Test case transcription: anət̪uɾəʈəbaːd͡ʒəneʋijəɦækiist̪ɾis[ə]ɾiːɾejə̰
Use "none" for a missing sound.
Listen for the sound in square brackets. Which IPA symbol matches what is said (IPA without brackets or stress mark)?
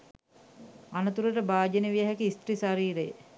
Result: a